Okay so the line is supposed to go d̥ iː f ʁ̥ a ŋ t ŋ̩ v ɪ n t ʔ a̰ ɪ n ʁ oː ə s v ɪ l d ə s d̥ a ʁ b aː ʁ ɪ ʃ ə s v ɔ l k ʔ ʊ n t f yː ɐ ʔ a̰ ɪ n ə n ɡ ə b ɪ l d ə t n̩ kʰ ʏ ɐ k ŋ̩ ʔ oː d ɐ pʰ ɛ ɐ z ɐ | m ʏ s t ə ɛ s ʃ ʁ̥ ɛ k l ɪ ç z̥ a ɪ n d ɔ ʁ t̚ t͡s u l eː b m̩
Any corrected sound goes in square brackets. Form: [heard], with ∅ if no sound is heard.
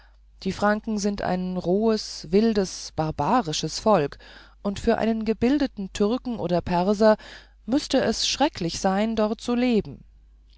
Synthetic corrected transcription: d̥ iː f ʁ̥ a ŋ [k] ŋ̩ [z] ɪ n t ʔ a̰ ɪ n ʁ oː ə s v ɪ l d ə s [b̥] a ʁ b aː ʁ ɪ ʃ ə s [f] ɔ l k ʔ ʊ n t f yː ɐ ʔ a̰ ɪ n ə n ɡ ə b ɪ l d ə t n̩ [tʰ] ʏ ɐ k ŋ̩ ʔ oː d ɐ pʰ ɛ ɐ z ɐ | m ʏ s t ə ɛ s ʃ ʁ̥ ɛ k l ɪ ç z̥ a ɪ n d ɔ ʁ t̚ t͡s u l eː b m̩